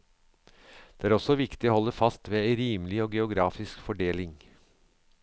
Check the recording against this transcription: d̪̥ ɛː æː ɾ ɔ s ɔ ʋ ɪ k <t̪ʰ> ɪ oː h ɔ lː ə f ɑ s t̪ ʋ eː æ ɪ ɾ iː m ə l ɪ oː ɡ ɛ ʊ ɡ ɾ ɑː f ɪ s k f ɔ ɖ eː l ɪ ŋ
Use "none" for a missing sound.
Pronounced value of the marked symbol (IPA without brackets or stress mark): t̪